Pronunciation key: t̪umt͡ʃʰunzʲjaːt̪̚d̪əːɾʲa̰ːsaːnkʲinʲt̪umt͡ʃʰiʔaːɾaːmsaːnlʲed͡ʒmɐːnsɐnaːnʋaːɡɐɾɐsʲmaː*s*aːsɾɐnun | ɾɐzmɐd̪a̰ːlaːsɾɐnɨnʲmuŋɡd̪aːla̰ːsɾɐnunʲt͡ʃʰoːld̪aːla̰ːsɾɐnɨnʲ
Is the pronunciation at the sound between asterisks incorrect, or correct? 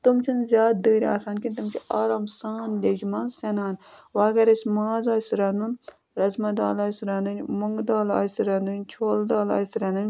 incorrect